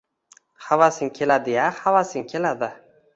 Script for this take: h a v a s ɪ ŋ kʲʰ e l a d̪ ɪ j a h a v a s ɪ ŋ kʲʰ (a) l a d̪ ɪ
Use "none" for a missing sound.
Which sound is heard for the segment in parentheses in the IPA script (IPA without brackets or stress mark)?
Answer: e